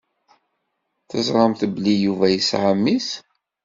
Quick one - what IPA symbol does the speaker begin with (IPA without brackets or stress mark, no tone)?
θ